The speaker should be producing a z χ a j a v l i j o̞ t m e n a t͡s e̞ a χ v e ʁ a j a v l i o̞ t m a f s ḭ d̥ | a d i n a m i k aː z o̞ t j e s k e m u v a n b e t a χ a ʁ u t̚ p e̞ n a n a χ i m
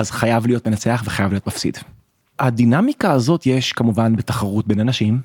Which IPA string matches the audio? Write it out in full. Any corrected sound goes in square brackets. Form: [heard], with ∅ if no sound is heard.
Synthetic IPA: a z χ a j a v l i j o̞ t m e n a t͡s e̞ a χ v e [χ] a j a v l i o̞ t m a f s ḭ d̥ | a d i n a m i k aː z o̞ t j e [ʃ] k [a] m u v a n b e t a χ a ʁ u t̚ [b] e̞ n a n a [ʃ] i m